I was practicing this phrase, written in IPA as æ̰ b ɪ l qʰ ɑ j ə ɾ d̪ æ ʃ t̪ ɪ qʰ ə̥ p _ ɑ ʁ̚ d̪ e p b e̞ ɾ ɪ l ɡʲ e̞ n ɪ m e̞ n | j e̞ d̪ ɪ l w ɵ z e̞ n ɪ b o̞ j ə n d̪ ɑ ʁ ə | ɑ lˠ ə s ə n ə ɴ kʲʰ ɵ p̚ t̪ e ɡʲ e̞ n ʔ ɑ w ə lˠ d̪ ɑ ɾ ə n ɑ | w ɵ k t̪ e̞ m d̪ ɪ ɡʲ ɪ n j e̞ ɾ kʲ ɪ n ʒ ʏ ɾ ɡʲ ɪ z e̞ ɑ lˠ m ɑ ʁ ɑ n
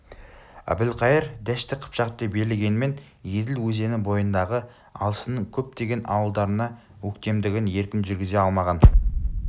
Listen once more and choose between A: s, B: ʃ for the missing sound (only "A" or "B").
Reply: B